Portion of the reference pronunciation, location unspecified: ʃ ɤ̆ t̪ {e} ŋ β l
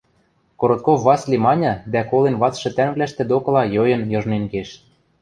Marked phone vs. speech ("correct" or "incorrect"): incorrect